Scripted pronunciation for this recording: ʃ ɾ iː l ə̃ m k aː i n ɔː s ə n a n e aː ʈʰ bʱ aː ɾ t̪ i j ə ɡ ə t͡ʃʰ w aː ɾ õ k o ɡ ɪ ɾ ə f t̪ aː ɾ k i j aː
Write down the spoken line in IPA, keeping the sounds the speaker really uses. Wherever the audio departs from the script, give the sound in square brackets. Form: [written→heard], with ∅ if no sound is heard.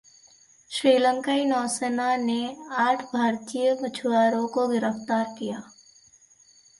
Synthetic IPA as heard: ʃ ɾ iː l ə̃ [m→ŋ] k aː i n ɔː s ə n a n e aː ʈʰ bʱ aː ɾ t̪ i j ə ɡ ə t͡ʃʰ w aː ɾ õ k o ɡ ɪ ɾ ə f t̪ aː ɾ k i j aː